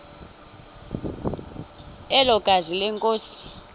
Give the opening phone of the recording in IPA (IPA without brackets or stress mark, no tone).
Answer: ɛ